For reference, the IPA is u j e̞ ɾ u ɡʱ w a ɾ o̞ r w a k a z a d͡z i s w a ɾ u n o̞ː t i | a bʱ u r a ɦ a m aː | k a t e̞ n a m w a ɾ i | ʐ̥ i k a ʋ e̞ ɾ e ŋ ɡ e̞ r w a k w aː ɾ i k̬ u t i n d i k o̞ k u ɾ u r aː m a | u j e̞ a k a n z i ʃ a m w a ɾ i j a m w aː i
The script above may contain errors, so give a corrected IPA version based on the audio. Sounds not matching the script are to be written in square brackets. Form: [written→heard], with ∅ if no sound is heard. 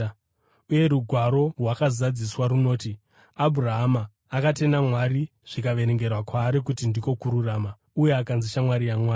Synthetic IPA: u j e̞ ɾ u ɡʱ w a ɾ o̞ r w a k a z a d͡z i s w a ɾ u n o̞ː t i | a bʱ u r a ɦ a m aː | k a t e̞ n a m w a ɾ i | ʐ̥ i k a ʋ e̞ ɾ e ŋ ɡ e̞ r w a k w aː ɾ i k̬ u t i n d i k o̞ k u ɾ u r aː m a | u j e̞ a k a n z i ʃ a m w a ɾ i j a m w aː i